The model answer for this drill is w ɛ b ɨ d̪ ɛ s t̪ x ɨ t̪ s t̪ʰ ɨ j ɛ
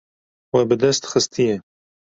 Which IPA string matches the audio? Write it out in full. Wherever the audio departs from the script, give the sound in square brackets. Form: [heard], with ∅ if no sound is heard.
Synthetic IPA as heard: w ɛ b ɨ d̪ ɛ s t̪ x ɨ [∅] s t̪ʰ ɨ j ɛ